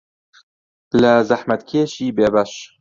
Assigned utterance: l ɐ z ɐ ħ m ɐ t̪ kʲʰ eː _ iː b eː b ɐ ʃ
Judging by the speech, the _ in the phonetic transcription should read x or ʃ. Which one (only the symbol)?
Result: ʃ